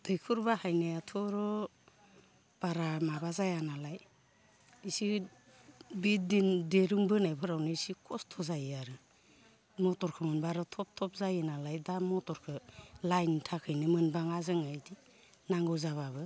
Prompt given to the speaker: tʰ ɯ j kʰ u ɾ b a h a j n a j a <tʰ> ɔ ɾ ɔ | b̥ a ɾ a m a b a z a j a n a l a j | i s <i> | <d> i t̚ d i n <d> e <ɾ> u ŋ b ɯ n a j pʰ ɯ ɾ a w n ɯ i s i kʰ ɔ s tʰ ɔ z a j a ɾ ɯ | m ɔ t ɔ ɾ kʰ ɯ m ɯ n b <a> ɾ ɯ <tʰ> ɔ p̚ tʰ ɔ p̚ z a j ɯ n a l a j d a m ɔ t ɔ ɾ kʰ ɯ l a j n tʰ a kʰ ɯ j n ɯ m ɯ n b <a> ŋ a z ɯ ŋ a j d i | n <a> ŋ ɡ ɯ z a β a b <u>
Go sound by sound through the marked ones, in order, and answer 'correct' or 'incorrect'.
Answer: correct, correct, incorrect: b, correct, correct, correct, correct, correct, correct, incorrect: ɯ

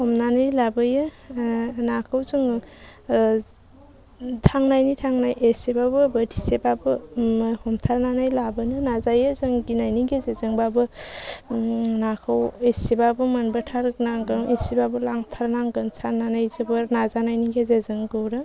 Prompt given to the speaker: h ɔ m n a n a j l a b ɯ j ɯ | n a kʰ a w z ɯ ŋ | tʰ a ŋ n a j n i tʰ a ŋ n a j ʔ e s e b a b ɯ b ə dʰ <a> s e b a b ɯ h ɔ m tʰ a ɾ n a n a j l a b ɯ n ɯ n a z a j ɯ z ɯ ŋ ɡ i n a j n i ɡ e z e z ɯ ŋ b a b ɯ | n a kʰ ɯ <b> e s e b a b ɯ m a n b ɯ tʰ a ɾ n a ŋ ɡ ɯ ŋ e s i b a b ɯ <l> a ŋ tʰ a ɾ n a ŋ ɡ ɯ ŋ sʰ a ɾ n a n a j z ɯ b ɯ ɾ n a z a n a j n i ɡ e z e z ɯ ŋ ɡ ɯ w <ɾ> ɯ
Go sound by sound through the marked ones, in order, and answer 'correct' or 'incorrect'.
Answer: incorrect: i, incorrect: w, correct, correct

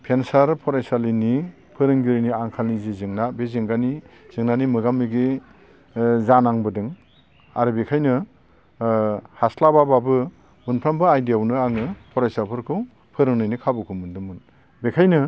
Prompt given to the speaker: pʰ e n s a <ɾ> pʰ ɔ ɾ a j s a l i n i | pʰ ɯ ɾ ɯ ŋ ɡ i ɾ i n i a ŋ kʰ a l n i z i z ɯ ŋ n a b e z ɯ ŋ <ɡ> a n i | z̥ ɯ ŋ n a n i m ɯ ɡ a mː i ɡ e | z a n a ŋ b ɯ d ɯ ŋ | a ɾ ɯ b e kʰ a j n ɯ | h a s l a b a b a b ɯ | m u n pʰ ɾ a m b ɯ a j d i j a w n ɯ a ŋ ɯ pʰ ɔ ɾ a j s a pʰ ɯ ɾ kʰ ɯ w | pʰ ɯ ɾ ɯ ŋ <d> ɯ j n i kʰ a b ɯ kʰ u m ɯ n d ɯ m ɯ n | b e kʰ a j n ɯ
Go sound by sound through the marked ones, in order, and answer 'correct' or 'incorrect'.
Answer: correct, correct, incorrect: n

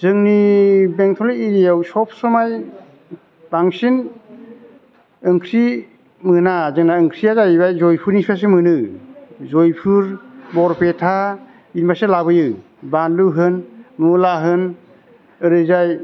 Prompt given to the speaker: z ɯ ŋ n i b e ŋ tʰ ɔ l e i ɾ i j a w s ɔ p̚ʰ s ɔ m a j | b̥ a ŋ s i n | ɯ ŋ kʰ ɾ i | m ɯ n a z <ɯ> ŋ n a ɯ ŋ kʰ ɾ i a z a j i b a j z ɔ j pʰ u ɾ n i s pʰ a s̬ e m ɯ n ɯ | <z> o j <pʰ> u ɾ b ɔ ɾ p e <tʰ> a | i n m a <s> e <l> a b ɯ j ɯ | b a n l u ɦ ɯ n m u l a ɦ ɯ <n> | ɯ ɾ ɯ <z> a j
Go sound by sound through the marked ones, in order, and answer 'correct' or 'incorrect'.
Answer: correct, correct, correct, correct, correct, correct, correct, correct

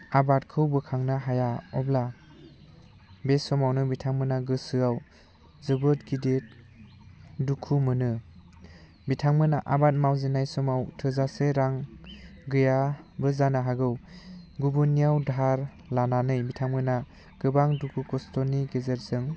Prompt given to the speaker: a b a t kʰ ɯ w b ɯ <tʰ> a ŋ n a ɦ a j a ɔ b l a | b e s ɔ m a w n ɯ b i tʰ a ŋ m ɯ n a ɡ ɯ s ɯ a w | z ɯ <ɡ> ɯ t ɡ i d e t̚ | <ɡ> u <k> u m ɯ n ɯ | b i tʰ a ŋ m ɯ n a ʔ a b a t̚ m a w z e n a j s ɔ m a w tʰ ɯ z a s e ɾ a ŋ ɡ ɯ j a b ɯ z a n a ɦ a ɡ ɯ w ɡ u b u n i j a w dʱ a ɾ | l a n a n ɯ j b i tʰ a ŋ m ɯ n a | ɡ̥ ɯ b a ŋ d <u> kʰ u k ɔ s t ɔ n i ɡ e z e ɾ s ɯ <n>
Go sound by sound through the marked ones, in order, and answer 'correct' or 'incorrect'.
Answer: incorrect: kʰ, incorrect: b, incorrect: d, incorrect: kʰ, correct, incorrect: ŋ

